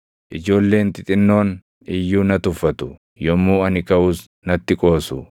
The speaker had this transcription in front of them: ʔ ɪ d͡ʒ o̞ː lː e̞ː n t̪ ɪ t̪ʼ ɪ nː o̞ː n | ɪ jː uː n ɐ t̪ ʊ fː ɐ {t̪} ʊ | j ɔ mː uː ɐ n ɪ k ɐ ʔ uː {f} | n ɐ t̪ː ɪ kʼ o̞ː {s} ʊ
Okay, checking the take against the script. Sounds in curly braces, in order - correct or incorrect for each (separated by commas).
correct, incorrect, correct